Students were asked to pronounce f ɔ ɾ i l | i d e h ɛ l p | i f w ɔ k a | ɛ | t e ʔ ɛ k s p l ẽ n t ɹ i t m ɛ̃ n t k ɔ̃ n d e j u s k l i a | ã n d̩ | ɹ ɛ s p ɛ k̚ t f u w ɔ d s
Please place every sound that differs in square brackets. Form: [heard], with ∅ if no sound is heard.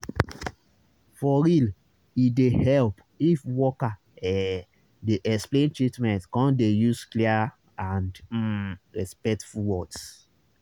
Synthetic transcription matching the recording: f ɔ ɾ i l | i d e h ɛ l p | i f w ɔ k a | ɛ | [d] e ʔ ɛ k s p l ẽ n t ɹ i t m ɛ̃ n t k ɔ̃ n d e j u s k l i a | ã n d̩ | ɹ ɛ s p ɛ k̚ t f u w ɔ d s